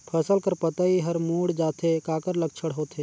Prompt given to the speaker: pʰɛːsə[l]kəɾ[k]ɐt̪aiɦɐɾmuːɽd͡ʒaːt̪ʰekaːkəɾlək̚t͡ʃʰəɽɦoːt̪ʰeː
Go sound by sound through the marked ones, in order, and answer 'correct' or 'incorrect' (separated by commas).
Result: correct, incorrect